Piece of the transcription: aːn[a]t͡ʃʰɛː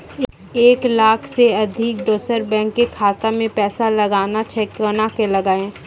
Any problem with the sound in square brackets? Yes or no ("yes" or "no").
no